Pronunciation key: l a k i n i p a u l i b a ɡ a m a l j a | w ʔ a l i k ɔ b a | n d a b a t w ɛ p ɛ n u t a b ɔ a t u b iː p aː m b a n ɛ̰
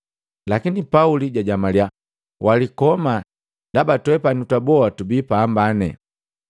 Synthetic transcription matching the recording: l a k i n i p a u l i ɟ a ɟ a m a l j a | w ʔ a l i k ɔ m a | n d a b a t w ɛ p a n u t a b ɔ a t u b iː p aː m b a n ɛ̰